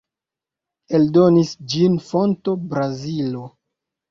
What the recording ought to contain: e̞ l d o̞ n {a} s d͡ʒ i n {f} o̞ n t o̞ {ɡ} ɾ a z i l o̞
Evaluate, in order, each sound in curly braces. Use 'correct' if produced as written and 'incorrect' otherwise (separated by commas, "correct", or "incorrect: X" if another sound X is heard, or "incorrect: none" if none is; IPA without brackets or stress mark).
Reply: incorrect: i, correct, incorrect: b